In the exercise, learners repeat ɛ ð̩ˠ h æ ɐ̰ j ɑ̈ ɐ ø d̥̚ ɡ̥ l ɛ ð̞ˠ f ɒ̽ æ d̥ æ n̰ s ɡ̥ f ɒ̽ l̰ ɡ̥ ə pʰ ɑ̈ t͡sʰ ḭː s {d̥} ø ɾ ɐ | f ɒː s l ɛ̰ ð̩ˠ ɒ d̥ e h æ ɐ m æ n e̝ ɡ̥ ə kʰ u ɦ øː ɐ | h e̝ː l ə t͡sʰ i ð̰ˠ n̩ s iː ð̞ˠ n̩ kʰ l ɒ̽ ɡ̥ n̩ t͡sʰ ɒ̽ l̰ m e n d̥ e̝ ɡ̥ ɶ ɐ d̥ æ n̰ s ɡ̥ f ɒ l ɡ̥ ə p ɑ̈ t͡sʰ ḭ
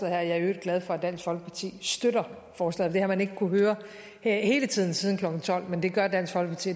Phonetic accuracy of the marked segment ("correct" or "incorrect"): correct